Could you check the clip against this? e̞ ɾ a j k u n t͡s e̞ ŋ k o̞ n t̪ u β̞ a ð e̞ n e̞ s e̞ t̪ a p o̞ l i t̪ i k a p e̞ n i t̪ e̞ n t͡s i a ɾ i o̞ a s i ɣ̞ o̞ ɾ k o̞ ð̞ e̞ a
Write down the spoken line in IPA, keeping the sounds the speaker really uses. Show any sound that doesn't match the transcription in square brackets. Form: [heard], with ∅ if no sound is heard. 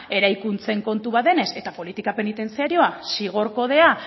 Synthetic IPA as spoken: e̞ ɾ a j k u n t͡s e̞ ŋ k o̞ n t̪ u β̞ a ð e̞ n e̞ s e̞ t̪ a p o̞ l i t̪ i k a p e̞ n i t̪ e̞ n t͡s i a ɾ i o̞ a s i ɣ̞ o̞ ɾ k o̞ ð̞ e̞ a

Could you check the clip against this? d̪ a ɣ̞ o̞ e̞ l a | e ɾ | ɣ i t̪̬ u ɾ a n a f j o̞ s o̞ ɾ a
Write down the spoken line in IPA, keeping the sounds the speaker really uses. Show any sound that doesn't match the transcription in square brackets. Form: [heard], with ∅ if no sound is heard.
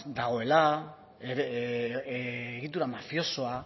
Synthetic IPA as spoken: d̪ a ɣ̞ o̞ e̞ l a | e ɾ | ɣ i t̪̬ u ɾ a [m] a f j o̞ s o̞ [∅] a

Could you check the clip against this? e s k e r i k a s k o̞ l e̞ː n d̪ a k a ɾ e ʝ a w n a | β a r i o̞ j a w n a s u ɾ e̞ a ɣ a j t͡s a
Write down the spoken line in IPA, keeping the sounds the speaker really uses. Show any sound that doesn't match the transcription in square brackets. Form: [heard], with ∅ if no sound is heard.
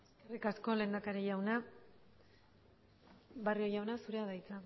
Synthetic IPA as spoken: e s k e r i k a s k o̞ l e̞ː n d̪ a k a ɾ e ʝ a w n a | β a r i o̞ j a w n a s u ɾ e̞ a [ð] a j t͡s a

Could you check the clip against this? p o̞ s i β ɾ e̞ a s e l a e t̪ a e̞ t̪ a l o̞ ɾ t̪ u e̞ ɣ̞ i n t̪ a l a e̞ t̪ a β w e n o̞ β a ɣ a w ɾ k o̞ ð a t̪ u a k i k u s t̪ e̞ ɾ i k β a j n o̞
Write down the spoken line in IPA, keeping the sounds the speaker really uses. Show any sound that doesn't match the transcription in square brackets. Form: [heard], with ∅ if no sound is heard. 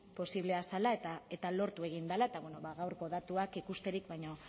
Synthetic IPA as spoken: p o̞ s i β [l] e̞ a s [a] l a e t̪ a e̞ t̪ a l o̞ ɾ t̪ u e̞ ɣ̞ i n [d̪] a l a e̞ t̪ a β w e n o̞ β a ɣ a w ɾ k o̞ ð a t̪ u a k i k u s t̪ e̞ ɾ i k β a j [ɲ] o̞

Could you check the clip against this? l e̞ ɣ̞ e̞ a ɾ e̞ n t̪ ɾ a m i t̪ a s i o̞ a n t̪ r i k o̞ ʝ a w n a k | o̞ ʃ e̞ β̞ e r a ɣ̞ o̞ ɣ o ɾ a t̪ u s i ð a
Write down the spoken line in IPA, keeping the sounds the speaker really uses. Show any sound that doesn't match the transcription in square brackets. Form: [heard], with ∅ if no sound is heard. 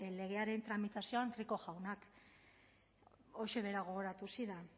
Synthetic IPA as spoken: l e̞ ɣ̞ e̞ a ɾ e̞ n t̪ ɾ a m i t̪ a s i o̞ a n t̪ r i k o̞ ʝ a w n a k | o̞ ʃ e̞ β̞ e [ɾ] a ɣ̞ o̞ ɣ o ɾ a t̪ u s i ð a

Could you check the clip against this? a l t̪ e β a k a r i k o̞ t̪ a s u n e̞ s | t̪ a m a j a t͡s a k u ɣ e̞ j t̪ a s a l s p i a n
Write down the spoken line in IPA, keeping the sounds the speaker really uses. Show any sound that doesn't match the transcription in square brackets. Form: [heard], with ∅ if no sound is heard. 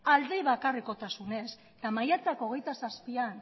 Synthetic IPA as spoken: a l [d̪] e β a k a r i k o̞ t̪ a s u n e̞ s | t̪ a m a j a t͡s a k [o] ɣ e̞ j t̪ a s a [∅] s p i a n

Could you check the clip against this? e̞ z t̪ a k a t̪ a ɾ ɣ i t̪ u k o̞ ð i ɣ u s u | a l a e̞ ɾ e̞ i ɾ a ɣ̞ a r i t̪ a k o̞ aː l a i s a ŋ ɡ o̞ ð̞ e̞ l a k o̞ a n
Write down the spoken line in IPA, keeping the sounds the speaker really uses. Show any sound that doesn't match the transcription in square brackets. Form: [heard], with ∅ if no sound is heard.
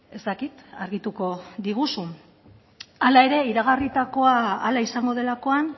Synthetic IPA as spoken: e̞ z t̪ a k [i] t̪ a ɾ ɣ i t̪ u k o̞ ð i ɣ u s u | a l a e̞ ɾ e̞ i ɾ a ɣ̞ a r i t̪ a k o̞ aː l a i s a ŋ ɡ o̞ ð̞ e̞ l a k o̞ a n

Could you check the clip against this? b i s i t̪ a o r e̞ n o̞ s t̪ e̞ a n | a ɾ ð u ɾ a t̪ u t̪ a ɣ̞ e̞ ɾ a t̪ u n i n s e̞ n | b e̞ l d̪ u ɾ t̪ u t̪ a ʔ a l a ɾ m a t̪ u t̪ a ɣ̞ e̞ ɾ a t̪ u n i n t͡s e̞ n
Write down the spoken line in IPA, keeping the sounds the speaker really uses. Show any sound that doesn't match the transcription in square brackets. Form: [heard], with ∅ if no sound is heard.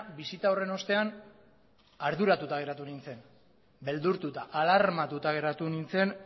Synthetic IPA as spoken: b i s i t̪ a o r e̞ n o̞ s t̪ e̞ a n | a ɾ ð u ɾ a t̪ u t̪ a ɣ̞ e̞ ɾ a t̪ u n i n [t͡s] e̞ n | b e̞ l d̪ u ɾ t̪ u t̪ a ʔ a l a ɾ m a t̪ u t̪ a ɣ̞ e̞ ɾ a t̪ u n i n t͡s e̞ n

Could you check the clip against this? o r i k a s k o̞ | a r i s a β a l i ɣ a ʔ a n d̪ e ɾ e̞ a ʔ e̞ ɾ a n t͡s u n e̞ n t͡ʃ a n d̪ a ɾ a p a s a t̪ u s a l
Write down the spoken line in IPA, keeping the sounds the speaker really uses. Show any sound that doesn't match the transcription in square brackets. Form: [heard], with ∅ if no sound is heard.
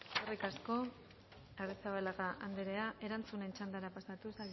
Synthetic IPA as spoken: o r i k a s k o̞ | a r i s a β a l [a] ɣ a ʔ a n d̪ e ɾ e̞ a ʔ e̞ ɾ a n t͡s u n e̞ n t͡ʃ a n d̪ a ɾ a p a s a t̪ u s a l

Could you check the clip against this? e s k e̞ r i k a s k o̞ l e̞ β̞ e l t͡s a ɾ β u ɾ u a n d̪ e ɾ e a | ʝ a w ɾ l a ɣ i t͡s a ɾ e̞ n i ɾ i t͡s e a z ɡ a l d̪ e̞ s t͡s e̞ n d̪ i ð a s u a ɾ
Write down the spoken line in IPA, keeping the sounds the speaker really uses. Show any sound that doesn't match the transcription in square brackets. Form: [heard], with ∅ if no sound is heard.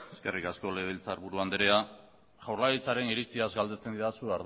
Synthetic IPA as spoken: e s k e̞ r i k a s k o̞ l e̞ β̞ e l t͡s a ɾ β u ɾ u a n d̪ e ɾ e a | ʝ a w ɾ l a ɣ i t͡s a ɾ e̞ n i ɾ i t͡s [i] a z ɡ a l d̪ e̞ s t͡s e̞ n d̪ i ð a s u a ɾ

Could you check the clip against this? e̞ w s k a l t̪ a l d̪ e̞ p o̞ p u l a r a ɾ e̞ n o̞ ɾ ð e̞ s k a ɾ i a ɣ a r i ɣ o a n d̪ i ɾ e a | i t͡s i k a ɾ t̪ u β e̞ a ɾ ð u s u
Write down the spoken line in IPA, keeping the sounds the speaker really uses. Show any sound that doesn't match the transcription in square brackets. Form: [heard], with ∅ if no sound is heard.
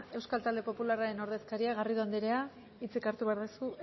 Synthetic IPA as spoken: e̞ w s k a l t̪ a l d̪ e̞ p o̞ p u l a r a ɾ e̞ n o̞ ɾ ð e̞ s k a ɾ i a ɣ a r i [ð] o a n d̪ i ɾ e a | i t͡s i k a ɾ t̪ u β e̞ a ɾ ð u s u

